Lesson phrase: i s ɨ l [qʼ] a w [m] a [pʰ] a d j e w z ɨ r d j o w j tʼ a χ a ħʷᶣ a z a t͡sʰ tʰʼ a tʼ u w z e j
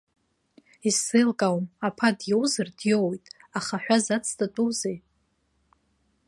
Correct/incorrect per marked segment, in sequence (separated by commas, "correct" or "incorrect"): incorrect, correct, correct